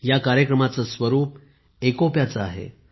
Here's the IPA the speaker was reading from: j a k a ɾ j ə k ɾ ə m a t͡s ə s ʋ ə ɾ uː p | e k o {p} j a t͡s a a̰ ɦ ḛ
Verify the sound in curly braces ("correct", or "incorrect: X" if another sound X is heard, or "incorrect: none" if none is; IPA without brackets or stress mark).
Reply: correct